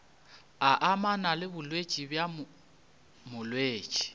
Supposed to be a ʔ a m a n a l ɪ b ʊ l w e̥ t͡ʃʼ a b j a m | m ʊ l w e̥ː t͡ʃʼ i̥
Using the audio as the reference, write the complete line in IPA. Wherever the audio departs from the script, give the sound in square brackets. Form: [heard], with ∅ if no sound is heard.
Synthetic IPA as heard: a ʔ a m a n a l ɪ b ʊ l w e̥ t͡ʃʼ [i] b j a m | m ʊ l w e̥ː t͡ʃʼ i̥